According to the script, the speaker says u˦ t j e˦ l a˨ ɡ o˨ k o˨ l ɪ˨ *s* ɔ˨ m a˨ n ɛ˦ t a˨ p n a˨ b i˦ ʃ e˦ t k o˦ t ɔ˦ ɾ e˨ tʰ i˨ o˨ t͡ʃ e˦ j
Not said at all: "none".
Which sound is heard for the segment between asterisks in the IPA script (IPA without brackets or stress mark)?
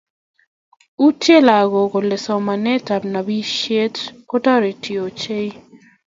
s